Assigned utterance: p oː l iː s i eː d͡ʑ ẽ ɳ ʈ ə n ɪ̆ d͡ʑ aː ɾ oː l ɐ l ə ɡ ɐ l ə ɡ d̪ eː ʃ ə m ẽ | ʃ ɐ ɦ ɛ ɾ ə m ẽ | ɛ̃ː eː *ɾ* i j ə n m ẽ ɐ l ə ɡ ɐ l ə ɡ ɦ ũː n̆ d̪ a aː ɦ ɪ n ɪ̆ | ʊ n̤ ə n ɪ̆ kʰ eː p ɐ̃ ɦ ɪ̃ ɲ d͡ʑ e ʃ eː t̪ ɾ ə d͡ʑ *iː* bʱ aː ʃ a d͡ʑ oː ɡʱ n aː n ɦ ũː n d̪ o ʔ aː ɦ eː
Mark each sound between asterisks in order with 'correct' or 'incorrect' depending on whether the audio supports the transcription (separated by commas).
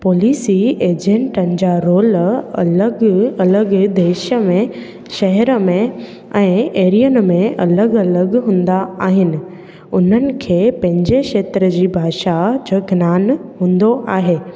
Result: correct, correct